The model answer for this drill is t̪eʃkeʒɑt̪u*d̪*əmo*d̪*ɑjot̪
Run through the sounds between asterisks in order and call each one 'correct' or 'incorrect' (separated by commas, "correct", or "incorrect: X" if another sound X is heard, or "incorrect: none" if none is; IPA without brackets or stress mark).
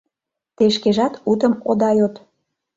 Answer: incorrect: t̪, correct